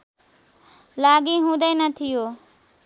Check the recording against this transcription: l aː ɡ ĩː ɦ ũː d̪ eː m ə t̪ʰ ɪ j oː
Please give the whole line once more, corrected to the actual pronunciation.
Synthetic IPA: l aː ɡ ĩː ɦ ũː d̪ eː n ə t̪ʰ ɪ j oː